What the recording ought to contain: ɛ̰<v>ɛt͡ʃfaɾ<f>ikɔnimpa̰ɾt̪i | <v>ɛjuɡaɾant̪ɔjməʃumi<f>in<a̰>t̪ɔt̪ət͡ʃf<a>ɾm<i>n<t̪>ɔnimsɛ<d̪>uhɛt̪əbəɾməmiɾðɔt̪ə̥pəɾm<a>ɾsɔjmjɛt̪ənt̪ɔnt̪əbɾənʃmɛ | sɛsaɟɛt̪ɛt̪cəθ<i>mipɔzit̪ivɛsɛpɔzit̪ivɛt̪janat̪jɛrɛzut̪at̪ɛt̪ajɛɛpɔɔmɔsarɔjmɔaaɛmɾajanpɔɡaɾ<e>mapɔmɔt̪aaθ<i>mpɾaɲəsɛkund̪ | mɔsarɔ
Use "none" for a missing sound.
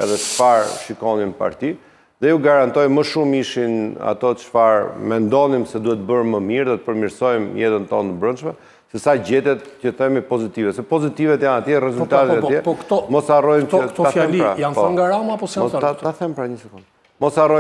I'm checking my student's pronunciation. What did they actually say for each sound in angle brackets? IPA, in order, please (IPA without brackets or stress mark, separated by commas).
ð, ʃ, ð, ʃ, a̰, a, ɛ, d̪, d̪, i, ɛ, a, ɛ